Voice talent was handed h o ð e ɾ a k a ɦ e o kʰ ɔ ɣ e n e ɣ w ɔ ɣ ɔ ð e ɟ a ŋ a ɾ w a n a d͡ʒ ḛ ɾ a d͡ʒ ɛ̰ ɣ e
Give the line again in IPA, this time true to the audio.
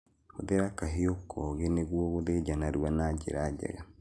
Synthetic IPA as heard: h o ð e ɾ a k a ɦ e o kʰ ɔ ɣ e n e ɣ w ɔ ɣ o ð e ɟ a n a ɾ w a n a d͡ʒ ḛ ɾ a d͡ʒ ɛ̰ ɣ a